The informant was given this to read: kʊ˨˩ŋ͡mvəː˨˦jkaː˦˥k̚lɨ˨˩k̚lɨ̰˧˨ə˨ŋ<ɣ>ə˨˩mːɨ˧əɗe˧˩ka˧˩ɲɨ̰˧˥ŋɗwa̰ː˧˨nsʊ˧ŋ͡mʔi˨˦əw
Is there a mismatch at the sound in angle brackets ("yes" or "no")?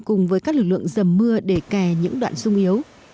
yes